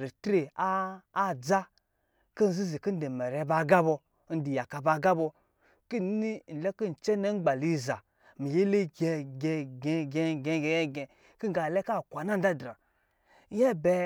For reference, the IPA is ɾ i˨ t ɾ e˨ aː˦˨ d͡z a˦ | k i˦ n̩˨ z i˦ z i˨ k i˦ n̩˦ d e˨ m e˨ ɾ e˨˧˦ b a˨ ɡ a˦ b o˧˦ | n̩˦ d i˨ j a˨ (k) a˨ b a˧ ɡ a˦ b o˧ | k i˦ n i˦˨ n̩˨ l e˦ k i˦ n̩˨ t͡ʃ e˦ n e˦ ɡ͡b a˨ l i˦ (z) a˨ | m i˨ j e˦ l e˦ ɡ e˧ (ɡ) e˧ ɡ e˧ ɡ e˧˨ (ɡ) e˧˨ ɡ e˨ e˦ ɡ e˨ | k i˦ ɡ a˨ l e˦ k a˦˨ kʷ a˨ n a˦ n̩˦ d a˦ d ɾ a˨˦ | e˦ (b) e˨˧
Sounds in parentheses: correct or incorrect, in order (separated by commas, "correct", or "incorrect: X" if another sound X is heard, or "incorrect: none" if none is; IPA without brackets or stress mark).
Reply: correct, correct, correct, correct, correct